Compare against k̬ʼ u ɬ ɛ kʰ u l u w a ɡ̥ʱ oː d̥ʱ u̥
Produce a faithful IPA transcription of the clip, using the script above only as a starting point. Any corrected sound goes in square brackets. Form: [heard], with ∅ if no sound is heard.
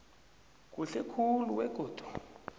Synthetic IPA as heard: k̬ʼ u ɬ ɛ kʰ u l u w [ɛ] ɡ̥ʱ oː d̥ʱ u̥